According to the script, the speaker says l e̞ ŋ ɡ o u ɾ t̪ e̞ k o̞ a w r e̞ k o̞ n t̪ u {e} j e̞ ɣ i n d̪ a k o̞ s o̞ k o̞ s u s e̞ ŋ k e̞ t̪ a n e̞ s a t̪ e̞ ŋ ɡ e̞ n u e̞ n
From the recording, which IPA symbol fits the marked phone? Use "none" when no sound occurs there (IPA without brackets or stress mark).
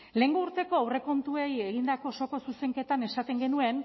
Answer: e